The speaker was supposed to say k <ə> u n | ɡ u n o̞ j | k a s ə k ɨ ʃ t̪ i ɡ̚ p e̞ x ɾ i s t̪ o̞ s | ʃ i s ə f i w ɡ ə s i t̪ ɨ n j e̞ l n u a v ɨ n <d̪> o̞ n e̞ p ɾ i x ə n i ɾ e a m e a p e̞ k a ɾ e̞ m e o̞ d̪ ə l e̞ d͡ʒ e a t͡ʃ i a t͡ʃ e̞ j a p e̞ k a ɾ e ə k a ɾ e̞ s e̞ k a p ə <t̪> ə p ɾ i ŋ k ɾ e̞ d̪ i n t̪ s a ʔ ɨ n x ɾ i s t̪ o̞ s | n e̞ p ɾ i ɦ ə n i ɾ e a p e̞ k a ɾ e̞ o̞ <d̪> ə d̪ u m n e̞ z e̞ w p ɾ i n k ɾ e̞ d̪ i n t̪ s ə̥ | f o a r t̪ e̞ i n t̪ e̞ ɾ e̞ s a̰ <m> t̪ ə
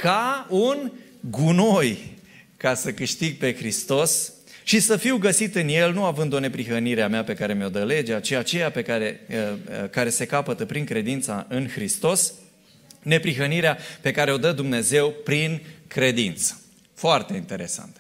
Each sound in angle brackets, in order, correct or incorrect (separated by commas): incorrect, correct, correct, correct, incorrect